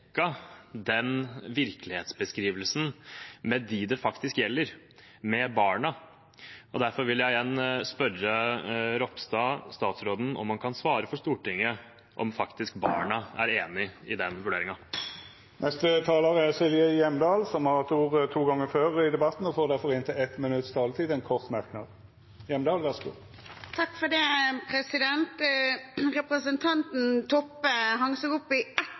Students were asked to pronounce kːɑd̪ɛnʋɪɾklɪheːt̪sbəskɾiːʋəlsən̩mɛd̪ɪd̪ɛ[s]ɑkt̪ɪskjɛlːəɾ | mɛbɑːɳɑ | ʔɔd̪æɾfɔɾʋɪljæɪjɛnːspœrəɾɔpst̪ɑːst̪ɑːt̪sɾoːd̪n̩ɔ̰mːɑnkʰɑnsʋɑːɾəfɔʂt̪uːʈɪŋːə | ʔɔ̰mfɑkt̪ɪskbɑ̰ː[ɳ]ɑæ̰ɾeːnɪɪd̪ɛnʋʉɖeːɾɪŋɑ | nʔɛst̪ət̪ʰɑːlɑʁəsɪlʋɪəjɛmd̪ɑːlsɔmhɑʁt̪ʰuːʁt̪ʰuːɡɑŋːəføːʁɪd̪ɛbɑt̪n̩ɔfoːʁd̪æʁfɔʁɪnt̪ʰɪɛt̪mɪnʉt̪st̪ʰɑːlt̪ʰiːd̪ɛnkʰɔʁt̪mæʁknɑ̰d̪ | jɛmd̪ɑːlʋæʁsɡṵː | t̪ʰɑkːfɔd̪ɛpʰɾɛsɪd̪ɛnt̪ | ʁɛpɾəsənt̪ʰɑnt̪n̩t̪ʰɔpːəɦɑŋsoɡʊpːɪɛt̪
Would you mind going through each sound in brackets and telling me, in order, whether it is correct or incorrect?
incorrect, correct

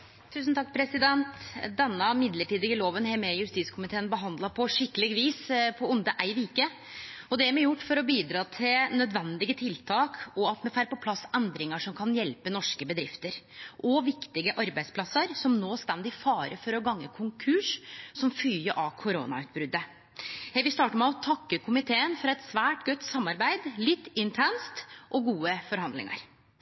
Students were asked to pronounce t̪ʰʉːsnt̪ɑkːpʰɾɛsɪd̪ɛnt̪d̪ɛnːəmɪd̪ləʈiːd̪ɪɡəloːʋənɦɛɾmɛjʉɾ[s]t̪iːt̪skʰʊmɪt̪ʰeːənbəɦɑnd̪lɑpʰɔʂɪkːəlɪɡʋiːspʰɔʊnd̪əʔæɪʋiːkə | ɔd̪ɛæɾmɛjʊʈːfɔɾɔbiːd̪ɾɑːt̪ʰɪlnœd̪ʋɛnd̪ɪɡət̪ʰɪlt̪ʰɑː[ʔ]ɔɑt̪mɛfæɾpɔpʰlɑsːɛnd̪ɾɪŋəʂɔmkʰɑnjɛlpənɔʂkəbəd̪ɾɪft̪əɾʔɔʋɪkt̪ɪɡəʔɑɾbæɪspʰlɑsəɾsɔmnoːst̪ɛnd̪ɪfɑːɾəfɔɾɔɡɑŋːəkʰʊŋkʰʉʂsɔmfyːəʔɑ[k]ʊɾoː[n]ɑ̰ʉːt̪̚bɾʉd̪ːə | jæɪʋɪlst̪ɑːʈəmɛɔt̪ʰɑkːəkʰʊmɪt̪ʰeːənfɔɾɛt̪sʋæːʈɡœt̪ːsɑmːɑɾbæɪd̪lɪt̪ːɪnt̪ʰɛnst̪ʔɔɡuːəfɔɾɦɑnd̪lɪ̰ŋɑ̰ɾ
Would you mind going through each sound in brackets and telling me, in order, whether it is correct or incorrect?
correct, incorrect, incorrect, correct

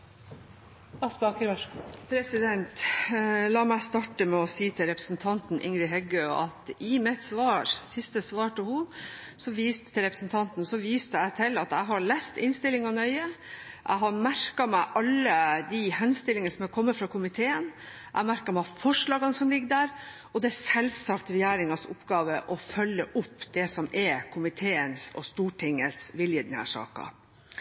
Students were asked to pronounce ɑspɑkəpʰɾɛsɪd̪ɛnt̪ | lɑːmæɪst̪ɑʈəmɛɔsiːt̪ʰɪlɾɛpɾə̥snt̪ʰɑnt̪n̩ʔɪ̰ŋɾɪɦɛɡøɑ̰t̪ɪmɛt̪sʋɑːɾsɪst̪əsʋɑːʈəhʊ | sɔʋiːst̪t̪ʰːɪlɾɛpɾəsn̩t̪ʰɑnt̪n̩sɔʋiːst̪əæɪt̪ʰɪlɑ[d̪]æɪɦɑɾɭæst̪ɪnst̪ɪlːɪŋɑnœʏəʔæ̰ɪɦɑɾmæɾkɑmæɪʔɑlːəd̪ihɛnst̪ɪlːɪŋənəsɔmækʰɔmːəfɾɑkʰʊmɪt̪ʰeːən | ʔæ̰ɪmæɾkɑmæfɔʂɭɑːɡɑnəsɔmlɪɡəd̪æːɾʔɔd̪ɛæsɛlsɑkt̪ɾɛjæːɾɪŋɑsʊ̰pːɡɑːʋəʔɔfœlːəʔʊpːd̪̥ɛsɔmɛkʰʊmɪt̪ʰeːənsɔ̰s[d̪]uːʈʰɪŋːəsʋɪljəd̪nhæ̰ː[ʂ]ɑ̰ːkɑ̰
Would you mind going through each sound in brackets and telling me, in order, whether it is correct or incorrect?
incorrect, incorrect, correct

